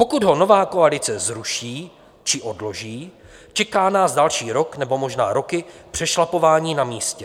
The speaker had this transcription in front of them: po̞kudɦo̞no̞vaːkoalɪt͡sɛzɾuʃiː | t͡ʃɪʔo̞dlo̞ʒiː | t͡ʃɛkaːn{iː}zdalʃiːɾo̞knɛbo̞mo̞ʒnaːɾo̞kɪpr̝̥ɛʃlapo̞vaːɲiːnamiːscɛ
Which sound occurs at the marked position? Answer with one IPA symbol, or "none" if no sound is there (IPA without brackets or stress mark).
aː